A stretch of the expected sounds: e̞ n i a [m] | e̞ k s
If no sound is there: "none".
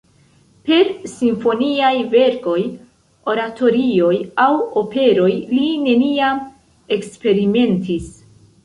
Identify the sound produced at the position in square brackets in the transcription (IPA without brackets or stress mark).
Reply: m